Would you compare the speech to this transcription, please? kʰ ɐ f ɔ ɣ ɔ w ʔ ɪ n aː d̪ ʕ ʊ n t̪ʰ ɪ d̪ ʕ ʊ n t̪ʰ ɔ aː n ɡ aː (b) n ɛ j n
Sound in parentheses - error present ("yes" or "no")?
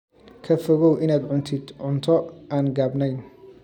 no